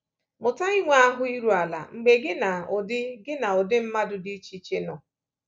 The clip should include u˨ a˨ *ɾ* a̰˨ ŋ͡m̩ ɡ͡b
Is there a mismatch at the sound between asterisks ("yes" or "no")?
yes